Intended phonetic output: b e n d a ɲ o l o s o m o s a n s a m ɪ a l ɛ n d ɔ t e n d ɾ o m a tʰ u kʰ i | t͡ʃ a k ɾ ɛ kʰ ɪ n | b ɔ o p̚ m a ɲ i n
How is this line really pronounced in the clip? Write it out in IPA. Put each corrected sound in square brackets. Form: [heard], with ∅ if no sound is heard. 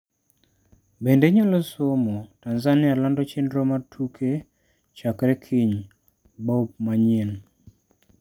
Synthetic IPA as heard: b e n d [e] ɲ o l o s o m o [t] a n [z] a [n] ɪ a l [a] n d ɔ [t͡ʃ] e n d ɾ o m a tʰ u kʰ [e] | t͡ʃ a k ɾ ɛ kʰ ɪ [ɲ] | b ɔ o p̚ m a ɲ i n